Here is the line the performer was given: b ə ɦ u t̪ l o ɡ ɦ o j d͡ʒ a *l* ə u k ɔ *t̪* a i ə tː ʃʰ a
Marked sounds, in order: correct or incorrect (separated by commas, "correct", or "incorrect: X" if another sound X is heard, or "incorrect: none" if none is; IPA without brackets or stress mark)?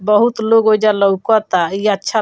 correct, correct